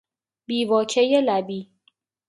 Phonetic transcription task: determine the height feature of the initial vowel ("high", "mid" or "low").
high